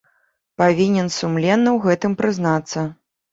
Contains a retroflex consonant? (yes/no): no